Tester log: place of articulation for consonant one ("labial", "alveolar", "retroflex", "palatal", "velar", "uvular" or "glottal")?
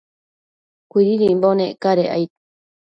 velar